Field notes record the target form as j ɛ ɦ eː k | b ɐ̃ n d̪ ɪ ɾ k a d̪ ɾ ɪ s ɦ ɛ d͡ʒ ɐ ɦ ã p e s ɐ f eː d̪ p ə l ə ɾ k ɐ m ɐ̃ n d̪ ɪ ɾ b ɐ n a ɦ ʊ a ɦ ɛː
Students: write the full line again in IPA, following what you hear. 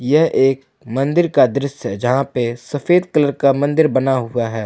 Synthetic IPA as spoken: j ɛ ɦ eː k | m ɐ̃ n d̪ ɪ ɾ k a d̪ ɾ ɪ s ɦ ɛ d͡ʒ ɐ ɦ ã p e s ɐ f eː d̪ k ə l ə ɾ k a m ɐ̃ n d̪ ɪ ɾ b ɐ n a ɦ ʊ a ɦ ɛː

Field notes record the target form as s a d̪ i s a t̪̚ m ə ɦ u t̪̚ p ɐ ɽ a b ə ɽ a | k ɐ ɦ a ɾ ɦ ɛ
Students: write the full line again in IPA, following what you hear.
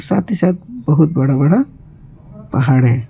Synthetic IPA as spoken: s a t̪ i s a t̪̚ b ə ɦ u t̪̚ b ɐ ɽ a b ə ɽ a | p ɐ ɦ a ɽ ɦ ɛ

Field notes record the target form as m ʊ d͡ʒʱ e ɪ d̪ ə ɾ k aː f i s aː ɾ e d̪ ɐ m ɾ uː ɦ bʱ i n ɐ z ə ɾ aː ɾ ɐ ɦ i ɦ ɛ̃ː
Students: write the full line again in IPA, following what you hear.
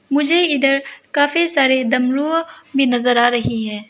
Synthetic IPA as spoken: m ʊ d͡ʒʱ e ɪ d̪ ə ɾ k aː f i s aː ɾ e d̪ ɐ m ɾ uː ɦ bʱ i n ɐ z ə ɾ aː ɾ ɐ ɦ i ɦ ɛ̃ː

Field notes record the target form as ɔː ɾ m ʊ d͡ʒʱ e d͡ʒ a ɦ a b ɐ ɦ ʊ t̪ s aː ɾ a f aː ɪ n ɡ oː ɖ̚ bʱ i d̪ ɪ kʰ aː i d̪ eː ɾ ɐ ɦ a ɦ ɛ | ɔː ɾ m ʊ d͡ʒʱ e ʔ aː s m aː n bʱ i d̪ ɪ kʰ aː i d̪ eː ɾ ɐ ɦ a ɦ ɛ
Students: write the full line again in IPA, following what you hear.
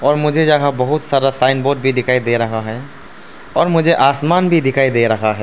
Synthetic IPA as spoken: ɔː ɾ m ʊ d͡ʒʱ e d͡ʒ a ɦ a b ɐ ɦ ʊ t̪ s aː ɾ a s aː ɪ n b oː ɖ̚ bʱ i d̪ ɪ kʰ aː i d̪ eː ɾ ɐ ɦ a ɦ ɛ | ɔː ɾ m ʊ d͡ʒʱ e ʔ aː s m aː n bʱ i d̪ ɪ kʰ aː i d̪ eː ɾ ɐ ɦ a ɦ ɛ

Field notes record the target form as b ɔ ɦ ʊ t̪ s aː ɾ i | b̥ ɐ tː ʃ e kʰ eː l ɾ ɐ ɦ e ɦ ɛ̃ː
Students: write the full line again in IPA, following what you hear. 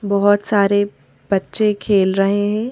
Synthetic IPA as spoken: b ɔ ɦ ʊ t̪ s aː ɾ e | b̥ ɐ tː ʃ e kʰ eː l ɾ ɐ ɦ e ɦ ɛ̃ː

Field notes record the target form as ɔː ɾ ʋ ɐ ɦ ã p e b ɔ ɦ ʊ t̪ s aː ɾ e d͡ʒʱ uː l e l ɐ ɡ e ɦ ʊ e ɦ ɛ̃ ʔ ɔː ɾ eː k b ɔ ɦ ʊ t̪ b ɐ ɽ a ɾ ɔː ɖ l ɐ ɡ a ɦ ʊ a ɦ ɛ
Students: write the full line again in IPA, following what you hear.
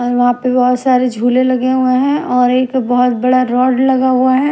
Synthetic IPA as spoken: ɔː ɾ ʋ ɐ ɦ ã p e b ɔ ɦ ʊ t̪ s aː ɾ e d͡ʒʱ uː l e l ɐ ɡ e ɦ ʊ e ɦ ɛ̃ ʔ ɔː ɾ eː k b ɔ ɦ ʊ t̪ b ɐ ɽ a ɾ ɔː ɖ l ɐ ɡ a ɦ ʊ a ɦ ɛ

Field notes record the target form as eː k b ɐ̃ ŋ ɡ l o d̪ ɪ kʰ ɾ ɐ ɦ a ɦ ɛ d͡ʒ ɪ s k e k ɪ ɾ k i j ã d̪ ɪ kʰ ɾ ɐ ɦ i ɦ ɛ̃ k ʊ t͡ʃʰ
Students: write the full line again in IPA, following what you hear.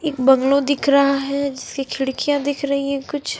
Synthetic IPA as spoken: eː k b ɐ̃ ŋ ɡ l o d̪ ɪ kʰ ɾ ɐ ɦ a ɦ ɛ d͡ʒ ɪ s k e kʰ ɪ ɽ k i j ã d̪ ɪ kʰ ɾ ɐ ɦ i ɦ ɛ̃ k ʊ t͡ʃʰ

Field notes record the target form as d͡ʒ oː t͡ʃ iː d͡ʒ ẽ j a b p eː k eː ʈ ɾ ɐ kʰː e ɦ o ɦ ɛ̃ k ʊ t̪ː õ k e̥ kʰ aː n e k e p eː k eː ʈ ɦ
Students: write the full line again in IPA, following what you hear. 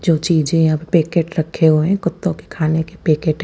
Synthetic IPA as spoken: d͡ʒ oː t͡ʃ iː d͡ʒ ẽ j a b p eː k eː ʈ ɾ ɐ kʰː e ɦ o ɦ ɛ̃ k ʊ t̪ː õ k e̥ kʰ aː n e k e p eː k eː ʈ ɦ

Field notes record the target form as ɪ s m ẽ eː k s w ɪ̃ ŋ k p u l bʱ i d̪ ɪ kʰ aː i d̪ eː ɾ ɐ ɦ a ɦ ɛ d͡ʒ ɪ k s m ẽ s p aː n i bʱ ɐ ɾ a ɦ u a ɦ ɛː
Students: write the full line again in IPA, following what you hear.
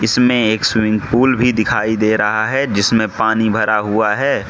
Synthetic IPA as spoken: ɪ s m ẽ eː k s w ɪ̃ ŋ ɡ p uː l bʱ i d̪ ɪ kʰ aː i d̪ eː ɾ ɐ ɦ a ɦ ɛ d͡ʒ ɪ s m ẽ p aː n i bʱ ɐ ɾ a ɦ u a ɦ ɛː

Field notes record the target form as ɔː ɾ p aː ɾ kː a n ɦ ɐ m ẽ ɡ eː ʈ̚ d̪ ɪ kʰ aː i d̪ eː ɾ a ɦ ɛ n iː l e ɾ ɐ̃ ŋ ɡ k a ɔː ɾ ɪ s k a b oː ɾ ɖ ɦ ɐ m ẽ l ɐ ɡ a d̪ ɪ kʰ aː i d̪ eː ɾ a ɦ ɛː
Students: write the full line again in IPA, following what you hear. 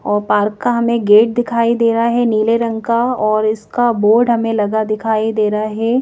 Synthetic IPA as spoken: ɔː ɾ p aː ɾ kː a ɦ ɐ m ẽ ɡ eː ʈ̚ d̪ ɪ kʰ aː i d̪ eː ɾ a ɦ ɛ n iː l e ɾ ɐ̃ ŋ ɡ k a ɔː ɾ ɪ s k a b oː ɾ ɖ ɦ ɐ m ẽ l ɐ ɡ a d̪ ɪ kʰ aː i d̪ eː ɾ a ɦ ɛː

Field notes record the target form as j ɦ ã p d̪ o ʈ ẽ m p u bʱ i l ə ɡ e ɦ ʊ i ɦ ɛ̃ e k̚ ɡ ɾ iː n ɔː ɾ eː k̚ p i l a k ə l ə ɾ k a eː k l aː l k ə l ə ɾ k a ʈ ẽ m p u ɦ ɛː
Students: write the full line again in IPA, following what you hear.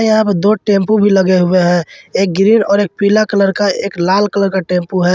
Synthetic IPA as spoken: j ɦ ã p d̪ o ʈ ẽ m p u bʱ i l ə ɡ e ɦ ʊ e ɦ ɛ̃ e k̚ ɡ ɾ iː n ɔː ɾ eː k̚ p i l a k ə l ə ɾ k a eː k l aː l k ə l ə ɾ k a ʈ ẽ m p u ɦ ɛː

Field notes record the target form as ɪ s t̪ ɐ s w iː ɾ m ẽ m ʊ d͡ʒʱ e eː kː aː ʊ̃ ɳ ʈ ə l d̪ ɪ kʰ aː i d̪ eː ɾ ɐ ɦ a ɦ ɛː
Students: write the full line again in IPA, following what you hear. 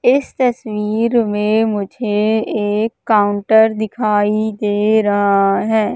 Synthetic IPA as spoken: ɪ s t̪ ɐ s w iː ɾ m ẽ m ʊ d͡ʒʱ e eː kː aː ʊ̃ ɳ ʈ ə ɾ d̪ ɪ kʰ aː i d̪ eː ɾ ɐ ɦ a ɦ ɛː

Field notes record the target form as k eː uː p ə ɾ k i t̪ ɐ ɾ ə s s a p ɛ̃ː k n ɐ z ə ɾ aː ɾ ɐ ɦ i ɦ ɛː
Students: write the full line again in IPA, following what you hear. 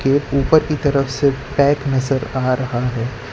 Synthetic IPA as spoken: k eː uː p ə ɾ k i t̪ ɐ ɾ ə f s e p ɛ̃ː k n ɐ z ə ɾ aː ɾ ɐ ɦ a ɦ ɛː

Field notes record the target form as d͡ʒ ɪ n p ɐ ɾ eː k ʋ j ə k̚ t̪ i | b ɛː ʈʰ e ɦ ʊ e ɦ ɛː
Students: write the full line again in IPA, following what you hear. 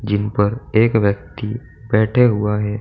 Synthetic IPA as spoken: d͡ʒ ɪ n p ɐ ɾ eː k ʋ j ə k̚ t̪ i | b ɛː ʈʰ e ɦ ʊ a ɦ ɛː

